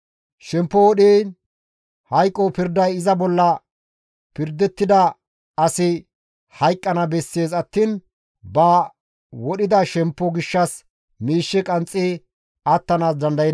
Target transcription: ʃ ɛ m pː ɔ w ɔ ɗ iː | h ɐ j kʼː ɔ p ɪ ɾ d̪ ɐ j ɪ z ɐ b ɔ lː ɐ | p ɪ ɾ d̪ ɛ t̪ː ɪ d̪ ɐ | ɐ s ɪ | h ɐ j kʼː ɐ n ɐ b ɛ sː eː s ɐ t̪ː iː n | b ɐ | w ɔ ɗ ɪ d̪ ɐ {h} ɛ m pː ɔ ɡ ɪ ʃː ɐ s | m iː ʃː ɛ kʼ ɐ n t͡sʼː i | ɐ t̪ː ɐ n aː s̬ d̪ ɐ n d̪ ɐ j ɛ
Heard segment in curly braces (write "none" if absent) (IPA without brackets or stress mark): ʃ